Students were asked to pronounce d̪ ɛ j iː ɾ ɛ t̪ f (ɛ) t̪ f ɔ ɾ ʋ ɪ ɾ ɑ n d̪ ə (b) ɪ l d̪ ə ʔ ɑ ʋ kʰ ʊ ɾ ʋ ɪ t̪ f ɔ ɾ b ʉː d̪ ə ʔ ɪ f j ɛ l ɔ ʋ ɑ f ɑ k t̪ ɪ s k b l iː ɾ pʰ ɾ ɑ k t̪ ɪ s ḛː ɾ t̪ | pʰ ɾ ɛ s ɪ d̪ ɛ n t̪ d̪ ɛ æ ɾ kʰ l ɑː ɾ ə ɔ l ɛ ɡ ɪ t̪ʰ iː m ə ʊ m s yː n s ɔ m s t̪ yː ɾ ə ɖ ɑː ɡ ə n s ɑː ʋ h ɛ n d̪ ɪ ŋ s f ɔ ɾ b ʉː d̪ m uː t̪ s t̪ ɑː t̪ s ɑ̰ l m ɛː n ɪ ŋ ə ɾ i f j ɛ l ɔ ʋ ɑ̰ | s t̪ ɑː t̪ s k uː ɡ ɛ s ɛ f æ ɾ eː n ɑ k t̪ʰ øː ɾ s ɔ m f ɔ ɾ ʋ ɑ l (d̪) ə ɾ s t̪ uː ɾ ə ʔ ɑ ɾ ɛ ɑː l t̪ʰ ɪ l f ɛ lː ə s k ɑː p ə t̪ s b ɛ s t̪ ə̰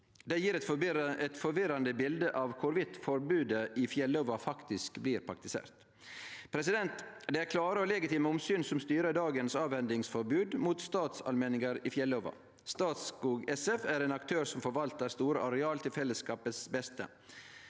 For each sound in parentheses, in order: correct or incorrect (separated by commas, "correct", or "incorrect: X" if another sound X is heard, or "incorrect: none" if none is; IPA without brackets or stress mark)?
correct, correct, incorrect: t̪